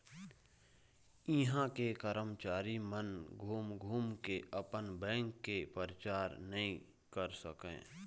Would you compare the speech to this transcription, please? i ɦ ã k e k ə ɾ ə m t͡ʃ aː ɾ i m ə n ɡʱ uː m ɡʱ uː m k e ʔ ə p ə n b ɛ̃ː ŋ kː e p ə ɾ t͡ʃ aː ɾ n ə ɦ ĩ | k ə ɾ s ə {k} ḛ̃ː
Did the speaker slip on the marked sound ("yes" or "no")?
no